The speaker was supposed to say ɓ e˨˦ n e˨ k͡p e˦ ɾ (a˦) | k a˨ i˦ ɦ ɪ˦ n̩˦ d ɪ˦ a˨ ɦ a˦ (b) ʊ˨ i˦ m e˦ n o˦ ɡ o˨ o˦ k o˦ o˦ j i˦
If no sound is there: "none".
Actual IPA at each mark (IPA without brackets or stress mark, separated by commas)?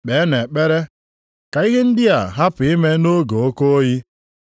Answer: e˦, p